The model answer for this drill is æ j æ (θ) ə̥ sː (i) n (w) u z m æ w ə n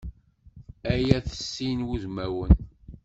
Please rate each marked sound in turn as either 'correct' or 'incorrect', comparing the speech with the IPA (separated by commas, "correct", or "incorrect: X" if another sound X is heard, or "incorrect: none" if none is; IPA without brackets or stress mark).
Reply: correct, correct, correct